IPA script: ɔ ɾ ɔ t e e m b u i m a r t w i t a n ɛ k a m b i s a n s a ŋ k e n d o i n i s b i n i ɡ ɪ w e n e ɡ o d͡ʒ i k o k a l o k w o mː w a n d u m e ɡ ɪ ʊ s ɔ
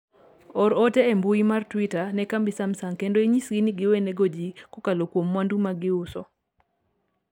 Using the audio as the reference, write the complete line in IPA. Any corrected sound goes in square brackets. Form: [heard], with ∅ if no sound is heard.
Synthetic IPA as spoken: ɔ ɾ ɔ t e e m b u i m a r t w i t a n ɛ k a m b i s a [m] s a ŋ k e n d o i [ɲ] i s [ɡ] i n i ɡ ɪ w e n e ɡ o d͡ʒ i k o k a l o k w o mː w a n d u m [a] ɡ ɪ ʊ s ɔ